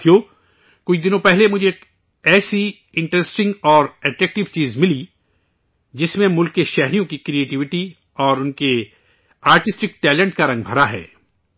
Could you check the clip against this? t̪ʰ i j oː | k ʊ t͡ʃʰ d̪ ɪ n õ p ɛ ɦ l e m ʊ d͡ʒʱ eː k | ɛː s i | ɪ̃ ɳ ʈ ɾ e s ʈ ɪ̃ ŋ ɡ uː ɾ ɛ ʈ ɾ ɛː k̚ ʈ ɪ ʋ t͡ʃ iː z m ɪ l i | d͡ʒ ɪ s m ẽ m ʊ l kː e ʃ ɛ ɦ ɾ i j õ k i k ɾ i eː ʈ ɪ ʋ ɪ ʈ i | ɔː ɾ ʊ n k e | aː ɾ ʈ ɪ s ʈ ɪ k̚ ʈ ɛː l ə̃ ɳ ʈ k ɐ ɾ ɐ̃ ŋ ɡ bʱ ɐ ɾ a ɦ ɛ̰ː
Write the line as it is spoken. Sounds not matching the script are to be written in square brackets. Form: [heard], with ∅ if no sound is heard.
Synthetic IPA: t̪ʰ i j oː | k ʊ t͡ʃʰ d̪ ɪ n õ p ɛ ɦ l e m ʊ d͡ʒʱ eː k | ɛː s i | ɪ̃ ɳ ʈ ɾ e s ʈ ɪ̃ ŋ ɡ [ɔː] ɾ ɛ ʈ ɾ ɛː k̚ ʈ ɪ ʋ t͡ʃ iː z m ɪ l i | d͡ʒ ɪ s m ẽ m ʊ l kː e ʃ ɛ ɦ ɾ i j õ k i k ɾ i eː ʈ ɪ ʋ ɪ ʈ i | ɔː ɾ ʊ n k e | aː ɾ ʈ ɪ s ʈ ɪ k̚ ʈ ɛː l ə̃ ɳ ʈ k [a] ɾ ɐ̃ ŋ ɡ bʱ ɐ ɾ a ɦ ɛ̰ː